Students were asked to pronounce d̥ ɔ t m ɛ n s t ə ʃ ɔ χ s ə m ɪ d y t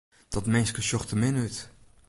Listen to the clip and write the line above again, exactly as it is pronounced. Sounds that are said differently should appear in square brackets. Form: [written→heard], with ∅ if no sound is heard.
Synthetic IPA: d̥ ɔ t m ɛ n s [t→k] ə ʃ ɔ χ [s→t] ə m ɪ [d→n] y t